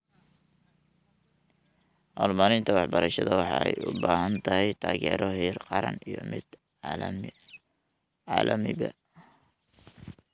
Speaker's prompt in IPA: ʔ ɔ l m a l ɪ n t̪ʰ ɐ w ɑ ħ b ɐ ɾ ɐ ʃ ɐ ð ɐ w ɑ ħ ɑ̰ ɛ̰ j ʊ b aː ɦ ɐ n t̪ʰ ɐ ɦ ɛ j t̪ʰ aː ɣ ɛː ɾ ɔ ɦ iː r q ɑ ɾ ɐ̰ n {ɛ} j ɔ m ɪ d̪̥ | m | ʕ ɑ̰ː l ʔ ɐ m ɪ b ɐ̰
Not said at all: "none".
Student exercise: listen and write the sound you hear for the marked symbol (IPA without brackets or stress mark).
i